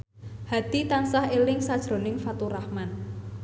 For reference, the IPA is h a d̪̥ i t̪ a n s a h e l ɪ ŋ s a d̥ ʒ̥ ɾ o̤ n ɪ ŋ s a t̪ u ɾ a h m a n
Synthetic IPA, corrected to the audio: h a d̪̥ i t̪ a n s a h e l ɪ ŋ s a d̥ ʒ̥ ɾ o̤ n ɪ ŋ f a t̪ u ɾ a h m a n